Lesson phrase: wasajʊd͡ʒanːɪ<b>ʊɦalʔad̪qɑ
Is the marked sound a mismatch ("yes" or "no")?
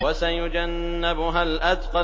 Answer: no